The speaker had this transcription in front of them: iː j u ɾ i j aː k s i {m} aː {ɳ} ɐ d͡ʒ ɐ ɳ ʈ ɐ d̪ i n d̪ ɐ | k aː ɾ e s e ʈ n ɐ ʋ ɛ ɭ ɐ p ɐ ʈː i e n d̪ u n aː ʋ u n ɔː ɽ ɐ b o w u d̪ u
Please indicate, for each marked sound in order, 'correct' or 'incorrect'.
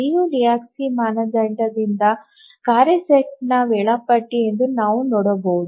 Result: correct, incorrect: n

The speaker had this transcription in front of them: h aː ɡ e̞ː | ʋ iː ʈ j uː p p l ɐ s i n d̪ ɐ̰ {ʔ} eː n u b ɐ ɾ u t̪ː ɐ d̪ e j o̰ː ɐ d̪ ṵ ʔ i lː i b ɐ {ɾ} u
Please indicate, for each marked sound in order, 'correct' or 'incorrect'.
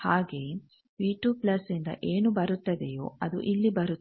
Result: correct, correct

